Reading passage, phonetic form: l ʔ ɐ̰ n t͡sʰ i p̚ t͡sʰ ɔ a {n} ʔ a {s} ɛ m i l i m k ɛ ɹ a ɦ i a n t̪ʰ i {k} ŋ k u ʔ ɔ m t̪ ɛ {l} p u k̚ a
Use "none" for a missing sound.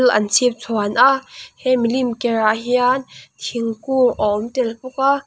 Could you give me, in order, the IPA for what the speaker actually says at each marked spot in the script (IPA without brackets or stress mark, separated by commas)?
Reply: n, h, none, l